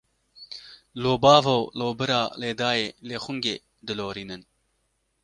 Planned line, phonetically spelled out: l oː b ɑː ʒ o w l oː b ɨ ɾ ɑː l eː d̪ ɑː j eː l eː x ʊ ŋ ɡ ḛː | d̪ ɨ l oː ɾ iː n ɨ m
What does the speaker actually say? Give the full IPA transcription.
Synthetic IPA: l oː b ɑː v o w l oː b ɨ ɾ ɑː l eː d̪ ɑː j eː l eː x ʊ ŋ ɡ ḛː | d̪ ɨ l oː ɾ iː n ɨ n